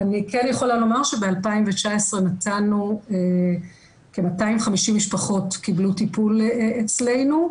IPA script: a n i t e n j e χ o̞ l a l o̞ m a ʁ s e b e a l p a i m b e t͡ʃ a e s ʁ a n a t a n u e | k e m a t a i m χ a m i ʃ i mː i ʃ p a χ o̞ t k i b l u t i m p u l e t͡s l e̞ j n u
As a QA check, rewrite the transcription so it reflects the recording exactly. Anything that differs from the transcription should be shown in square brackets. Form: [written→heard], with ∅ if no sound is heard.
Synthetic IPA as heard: a n i [t→k] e n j e χ o̞ l a l o̞ m a ʁ [s→ʃ] e b e a l p a i m [b→v] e t͡ʃ a e s ʁ [a→e] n a t a n u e | k e m a t a i m χ a m i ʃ i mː i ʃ p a χ o̞ t k i b l u t i [m→∅] p u l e t͡s l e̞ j n u